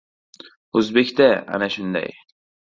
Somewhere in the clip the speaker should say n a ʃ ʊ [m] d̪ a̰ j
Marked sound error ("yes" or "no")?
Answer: yes